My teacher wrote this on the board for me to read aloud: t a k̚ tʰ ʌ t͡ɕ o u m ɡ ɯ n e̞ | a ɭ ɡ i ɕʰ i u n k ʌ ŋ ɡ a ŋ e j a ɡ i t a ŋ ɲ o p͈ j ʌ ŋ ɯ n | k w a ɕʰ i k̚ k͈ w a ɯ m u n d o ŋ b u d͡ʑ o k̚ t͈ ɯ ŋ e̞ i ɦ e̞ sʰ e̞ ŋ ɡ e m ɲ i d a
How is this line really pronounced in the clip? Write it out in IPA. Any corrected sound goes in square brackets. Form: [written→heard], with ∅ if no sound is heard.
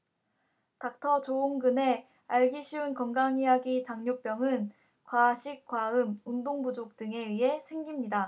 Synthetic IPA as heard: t a k̚ tʰ ʌ t͡ɕ o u m ɡ ɯ n e̞ | a ɭ ɡ i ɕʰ i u n k ʌ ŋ ɡ a ŋ [e→i] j a ɡ i t a ŋ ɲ o p͈ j ʌ ŋ ɯ n | k w a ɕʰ i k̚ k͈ w a ɯ m u n d o ŋ b u d͡ʑ o k̚ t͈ ɯ ŋ e̞ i ɦ e̞ sʰ e̞ ŋ ɡ [e→i] m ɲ i d a